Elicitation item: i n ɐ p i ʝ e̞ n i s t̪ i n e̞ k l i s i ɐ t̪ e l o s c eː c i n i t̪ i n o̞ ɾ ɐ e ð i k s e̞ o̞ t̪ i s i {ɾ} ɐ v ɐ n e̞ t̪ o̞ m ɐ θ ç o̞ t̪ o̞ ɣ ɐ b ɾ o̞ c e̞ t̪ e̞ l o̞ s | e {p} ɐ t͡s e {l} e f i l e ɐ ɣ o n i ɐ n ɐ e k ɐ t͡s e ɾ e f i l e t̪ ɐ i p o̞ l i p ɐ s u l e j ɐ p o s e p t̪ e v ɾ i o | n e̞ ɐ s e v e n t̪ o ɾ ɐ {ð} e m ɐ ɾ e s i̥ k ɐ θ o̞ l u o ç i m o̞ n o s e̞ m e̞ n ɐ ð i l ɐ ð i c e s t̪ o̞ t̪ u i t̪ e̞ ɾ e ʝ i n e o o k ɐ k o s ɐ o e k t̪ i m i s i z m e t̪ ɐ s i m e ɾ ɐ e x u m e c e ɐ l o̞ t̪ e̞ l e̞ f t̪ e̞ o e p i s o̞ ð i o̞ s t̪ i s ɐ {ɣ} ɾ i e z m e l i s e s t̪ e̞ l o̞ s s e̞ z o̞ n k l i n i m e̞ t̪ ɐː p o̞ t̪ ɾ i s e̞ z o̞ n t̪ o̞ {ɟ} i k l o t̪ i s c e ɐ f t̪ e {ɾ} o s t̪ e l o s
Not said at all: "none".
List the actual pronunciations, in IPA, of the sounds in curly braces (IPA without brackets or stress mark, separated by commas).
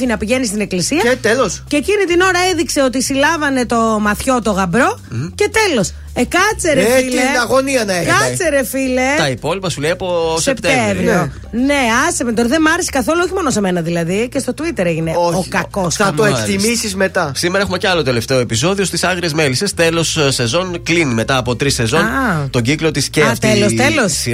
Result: l, k, ɾ, ð, ɣ, ɟ, l